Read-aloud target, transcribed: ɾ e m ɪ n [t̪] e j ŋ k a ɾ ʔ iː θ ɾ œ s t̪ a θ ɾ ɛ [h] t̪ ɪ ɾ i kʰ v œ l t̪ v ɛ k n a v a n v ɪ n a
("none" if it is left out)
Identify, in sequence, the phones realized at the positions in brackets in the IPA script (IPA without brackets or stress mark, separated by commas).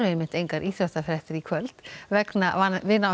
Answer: t̪, h